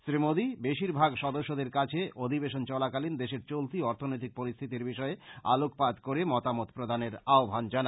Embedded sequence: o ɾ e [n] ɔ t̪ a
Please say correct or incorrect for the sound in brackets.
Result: incorrect